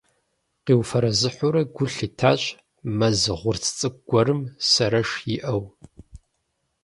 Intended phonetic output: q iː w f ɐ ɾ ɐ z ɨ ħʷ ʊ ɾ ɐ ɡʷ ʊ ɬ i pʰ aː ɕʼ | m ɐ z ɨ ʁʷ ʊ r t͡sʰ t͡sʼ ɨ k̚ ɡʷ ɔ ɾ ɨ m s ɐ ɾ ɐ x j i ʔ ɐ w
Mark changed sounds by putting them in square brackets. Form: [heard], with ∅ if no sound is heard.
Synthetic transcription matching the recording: q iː w f ɐ ɾ ɐ z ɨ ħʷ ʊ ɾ ɐ ɡʷ ʊ ɬ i [tʰ] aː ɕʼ | m ɐ z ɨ ʁʷ ʊ r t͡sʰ t͡sʼ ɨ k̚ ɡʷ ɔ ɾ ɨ m s ɐ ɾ ɐ [ʂ] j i ʔ ɐ w